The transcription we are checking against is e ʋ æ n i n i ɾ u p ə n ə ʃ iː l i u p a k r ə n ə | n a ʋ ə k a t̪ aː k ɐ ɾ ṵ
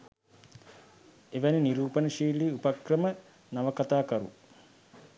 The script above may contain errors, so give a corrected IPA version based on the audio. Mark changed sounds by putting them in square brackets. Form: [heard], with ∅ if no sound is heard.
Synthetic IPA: e ʋ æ n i n i ɾ [uː] p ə n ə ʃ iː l i u p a k r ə [m] ə | n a ʋ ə k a t̪ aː k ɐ ɾ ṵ

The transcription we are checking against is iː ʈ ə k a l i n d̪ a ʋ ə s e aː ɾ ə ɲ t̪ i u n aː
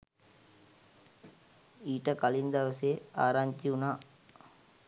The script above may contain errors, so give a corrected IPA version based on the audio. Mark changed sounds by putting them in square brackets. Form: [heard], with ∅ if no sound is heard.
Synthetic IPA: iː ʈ ə k a l i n d̪ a ʋ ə s e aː ɾ [a] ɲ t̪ i u n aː

